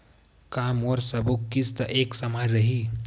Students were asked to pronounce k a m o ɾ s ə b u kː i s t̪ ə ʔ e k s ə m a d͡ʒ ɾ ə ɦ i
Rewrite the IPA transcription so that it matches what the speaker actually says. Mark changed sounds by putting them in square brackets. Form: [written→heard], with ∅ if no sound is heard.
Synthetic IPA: k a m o ɾ s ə b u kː i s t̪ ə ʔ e k s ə m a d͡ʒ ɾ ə ɦ i